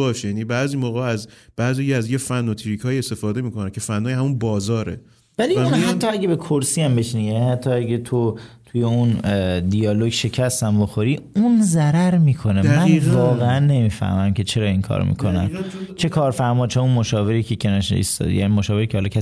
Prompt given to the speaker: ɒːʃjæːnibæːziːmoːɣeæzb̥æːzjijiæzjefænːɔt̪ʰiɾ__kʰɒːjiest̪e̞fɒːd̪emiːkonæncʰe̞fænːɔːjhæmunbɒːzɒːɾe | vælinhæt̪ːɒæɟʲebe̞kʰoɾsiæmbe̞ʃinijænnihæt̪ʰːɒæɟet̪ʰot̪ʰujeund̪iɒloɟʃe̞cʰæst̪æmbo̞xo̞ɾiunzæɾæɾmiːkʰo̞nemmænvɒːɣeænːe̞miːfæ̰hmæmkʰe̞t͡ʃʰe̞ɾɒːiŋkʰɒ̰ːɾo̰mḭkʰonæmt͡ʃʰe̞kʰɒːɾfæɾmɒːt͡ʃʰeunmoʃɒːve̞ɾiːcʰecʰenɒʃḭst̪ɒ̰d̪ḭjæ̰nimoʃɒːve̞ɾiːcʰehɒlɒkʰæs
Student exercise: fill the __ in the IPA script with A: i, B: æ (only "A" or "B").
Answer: A